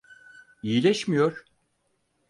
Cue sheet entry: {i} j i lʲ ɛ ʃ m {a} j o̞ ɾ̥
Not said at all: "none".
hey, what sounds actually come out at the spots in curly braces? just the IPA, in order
i, i

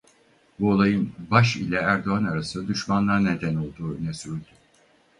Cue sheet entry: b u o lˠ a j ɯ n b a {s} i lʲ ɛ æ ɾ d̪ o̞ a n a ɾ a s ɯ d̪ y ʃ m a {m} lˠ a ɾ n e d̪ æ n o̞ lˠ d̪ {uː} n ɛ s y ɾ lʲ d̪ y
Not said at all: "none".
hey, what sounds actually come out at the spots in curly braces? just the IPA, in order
ʃ, n, uː

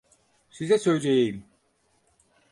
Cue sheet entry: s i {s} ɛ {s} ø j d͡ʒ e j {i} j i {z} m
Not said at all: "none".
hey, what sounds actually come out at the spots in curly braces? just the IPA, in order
z, s, e, none

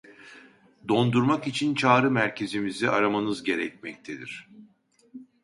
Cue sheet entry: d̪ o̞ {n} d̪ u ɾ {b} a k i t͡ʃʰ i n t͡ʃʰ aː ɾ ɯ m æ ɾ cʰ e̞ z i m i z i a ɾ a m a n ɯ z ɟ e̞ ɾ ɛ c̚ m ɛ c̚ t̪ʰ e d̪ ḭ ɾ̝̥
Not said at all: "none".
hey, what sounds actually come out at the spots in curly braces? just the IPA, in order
n, m

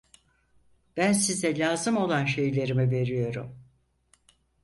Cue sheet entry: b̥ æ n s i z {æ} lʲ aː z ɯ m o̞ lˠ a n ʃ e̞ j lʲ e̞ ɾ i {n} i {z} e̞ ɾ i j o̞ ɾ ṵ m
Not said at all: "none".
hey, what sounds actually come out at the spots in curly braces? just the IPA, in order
ɛ, m, v

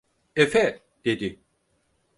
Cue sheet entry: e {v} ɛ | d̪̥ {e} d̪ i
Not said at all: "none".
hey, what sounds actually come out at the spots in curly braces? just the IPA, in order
f, e

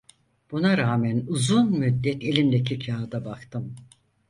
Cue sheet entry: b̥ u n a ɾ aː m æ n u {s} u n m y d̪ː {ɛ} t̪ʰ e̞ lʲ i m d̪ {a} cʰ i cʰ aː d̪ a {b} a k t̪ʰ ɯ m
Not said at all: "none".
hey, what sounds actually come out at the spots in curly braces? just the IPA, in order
z, ɛ, e, b

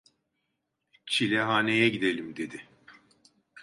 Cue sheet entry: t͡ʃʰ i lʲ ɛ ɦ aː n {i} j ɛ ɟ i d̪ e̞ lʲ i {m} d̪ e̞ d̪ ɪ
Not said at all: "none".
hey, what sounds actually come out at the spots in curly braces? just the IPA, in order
e, m

